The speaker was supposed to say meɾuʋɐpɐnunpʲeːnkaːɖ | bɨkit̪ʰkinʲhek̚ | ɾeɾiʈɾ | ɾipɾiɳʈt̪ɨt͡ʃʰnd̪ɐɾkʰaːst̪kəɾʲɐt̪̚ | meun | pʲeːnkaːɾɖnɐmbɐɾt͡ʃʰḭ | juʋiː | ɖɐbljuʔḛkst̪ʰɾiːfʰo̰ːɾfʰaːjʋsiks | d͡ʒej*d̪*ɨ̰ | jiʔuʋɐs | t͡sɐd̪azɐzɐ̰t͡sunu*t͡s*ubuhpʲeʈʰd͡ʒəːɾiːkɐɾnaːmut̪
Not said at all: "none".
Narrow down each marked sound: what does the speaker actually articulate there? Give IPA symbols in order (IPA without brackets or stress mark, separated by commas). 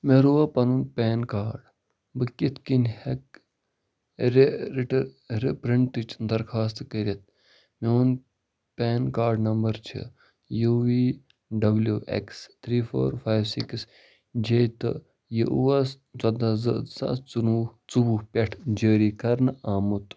t̪, t͡s